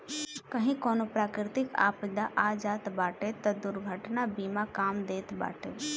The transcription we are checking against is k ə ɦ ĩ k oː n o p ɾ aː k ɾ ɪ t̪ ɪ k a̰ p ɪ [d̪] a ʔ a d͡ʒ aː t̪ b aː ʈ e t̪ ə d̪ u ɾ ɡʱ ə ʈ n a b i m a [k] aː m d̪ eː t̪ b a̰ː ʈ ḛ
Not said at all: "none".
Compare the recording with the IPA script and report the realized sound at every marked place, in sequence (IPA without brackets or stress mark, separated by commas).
d̪, k